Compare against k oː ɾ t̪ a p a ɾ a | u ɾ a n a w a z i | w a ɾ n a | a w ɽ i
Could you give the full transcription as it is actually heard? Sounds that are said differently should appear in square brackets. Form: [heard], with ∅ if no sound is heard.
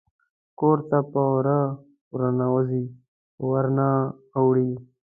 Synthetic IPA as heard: k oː ɾ t̪ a p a ɾ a | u ɾ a n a w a z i | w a ɾ n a | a w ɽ i

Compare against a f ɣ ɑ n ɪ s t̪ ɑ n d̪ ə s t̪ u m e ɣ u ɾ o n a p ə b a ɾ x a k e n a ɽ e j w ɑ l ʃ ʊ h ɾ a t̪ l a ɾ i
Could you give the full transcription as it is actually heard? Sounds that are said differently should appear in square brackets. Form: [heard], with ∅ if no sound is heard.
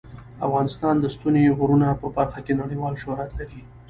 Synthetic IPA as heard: a f ɣ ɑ n ɪ s t̪ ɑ n d̪ ə s t̪ u [n] e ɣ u ɾ [u] n a p ə b a ɾ x a k e n a ɽ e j w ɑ l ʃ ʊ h ɾ a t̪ l a ɾ i

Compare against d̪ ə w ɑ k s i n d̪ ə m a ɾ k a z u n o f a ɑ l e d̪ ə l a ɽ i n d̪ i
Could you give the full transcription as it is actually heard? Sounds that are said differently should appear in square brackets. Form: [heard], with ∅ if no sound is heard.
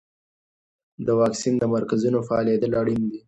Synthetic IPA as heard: d̪ ə w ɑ k s i n d̪ ə m a ɾ k a z u n o f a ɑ l e d̪ ə l a ɽ i n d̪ i

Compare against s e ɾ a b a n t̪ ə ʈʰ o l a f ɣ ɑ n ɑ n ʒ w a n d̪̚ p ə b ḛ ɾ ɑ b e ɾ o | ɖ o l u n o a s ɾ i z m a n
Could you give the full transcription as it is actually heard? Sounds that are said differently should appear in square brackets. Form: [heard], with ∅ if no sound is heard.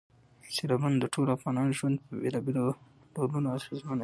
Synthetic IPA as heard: s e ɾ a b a n [d̪] ə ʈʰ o l a f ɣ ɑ n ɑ n ʒ w a n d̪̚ p ə b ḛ [l] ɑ b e [l] o | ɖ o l u n o a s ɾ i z m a n

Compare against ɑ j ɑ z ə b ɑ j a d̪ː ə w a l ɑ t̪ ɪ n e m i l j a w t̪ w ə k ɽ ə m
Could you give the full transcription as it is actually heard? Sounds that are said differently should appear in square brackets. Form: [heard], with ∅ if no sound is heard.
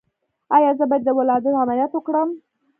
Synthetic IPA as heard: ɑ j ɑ z ə b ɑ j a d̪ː ə w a l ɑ [d̪] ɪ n [a] m [a] l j a [∅] t̪ w ə k ɽ ə m

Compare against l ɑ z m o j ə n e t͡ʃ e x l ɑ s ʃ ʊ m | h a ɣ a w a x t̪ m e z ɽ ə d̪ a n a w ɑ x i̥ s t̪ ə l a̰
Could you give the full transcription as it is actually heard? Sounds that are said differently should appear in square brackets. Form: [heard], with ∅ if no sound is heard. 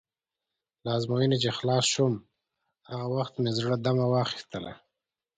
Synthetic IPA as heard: l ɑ z m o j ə n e t͡ʃ e x l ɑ s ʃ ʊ m | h a ɣ a w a x t̪ m e z ɽ ə d̪ a [m] a w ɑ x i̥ s t̪ ə l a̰

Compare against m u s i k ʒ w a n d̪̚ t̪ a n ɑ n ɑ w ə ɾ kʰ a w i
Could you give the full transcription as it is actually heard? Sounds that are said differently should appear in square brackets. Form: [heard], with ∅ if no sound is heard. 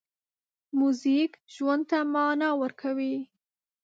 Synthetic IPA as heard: m u [z] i k ʒ w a n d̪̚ t̪ a [m] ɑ n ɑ w ə ɾ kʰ a w i

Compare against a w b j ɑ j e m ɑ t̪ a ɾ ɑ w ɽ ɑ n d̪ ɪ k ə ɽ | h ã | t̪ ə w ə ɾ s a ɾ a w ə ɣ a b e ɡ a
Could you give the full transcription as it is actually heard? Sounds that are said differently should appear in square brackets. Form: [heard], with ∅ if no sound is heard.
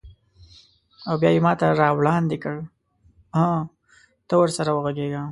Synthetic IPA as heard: a w b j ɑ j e m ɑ t̪ a ɾ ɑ w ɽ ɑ n d̪ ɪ k ə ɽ | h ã | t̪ ə w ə ɾ s a ɾ a w ə ɣ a [ɡ] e ɡ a

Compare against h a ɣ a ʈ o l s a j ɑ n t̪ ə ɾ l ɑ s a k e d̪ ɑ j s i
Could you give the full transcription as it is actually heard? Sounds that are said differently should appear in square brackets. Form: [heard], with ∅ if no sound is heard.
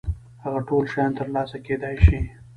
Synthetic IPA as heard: h a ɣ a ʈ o l [ʃ] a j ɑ n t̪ ə ɾ l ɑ s a k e d̪ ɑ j [ʃ] i

